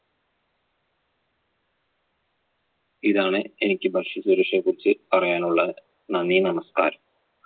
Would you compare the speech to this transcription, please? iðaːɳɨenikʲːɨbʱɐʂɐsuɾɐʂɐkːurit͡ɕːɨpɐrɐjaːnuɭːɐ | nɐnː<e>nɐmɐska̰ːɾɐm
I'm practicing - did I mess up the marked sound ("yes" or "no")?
yes